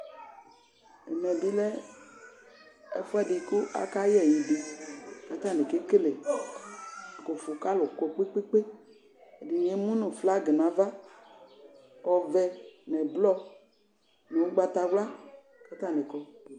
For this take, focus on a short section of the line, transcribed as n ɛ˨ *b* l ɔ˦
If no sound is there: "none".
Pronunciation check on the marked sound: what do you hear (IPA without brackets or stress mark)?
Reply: b